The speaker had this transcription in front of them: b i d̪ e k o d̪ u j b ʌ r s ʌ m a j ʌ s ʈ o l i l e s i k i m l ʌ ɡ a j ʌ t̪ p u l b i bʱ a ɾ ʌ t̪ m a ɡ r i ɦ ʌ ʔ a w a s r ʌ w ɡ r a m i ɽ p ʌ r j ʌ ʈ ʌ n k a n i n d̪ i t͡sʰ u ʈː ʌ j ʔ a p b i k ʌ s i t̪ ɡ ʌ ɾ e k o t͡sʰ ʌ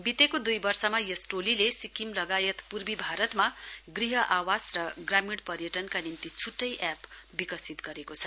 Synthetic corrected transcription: b i t̪ e k o d̪ u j b ʌ r s ʌ m a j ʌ s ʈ o l i l e s i k i m l ʌ ɡ a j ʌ t̪ p u r b i bʱ a ɾ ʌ t̪ m a ɡ r i ɦ ʌ ʔ a w a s r ʌ ɡ r a m i ɽ p ʌ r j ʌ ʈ ʌ n k a n i n t̪ i t͡sʰ u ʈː ʌ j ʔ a p b i k ʌ s i t̪ ɡ ʌ ɾ e k o t͡sʰ ʌ